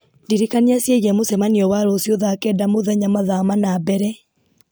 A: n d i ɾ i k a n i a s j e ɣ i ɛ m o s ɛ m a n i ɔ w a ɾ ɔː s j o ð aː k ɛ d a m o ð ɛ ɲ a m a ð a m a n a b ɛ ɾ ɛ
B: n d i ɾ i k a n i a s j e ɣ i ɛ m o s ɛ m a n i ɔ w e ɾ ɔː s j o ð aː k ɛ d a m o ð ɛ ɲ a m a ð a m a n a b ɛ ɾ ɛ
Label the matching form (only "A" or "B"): A